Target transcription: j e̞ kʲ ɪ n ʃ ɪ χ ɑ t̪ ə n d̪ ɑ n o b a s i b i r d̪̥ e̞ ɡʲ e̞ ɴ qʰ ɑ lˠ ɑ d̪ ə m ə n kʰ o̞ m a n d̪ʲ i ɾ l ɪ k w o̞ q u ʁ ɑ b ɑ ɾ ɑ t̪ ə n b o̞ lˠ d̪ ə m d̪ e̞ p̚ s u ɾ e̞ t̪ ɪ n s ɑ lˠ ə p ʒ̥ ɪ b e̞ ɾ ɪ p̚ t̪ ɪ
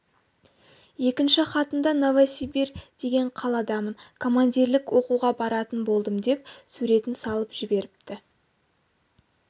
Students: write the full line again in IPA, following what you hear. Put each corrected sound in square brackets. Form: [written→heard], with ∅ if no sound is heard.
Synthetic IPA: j e̞ kʲ ɪ n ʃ ɪ χ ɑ t̪ ə n d̪ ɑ n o [b→v] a s i b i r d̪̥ e̞ ɡʲ e̞ ɴ qʰ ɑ lˠ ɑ d̪ [ə→ɑ] m ə n kʰ o̞ m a n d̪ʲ i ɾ l ɪ k w o̞ q u ʁ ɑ b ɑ ɾ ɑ t̪ ə n b o̞ lˠ d̪ ə m d̪ e̞ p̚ s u ɾ e̞ t̪ ɪ n s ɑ lˠ ə p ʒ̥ ɪ b e̞ ɾ ɪ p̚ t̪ ɪ